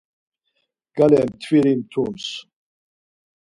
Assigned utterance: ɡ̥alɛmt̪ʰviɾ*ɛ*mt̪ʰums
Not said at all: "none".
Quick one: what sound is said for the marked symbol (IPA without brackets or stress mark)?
i